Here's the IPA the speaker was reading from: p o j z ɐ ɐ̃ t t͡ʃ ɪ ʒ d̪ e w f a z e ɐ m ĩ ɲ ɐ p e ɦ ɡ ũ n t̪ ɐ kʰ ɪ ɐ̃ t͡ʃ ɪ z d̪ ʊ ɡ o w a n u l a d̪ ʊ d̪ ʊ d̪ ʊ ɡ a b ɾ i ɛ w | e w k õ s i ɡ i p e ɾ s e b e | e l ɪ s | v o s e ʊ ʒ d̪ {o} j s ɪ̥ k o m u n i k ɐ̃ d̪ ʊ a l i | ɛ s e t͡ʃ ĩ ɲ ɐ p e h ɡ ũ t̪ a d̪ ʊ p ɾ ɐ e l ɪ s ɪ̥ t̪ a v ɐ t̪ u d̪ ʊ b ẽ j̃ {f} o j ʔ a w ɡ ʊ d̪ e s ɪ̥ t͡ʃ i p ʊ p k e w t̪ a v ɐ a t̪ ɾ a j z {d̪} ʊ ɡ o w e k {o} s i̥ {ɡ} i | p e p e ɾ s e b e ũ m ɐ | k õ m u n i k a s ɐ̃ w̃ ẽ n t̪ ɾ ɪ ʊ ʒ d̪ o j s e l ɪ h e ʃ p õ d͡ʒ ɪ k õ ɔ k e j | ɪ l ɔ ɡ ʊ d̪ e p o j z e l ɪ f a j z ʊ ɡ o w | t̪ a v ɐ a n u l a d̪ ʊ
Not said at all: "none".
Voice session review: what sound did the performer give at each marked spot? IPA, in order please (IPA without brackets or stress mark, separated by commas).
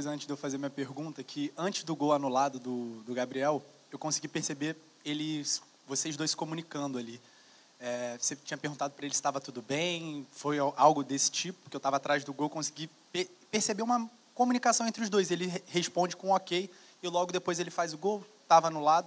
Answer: o, f, d̪, õ, ɡ